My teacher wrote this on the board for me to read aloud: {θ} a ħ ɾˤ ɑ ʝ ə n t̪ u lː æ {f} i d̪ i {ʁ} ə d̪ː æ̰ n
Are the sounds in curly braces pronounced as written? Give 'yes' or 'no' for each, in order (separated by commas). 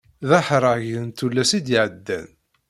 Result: no, no, no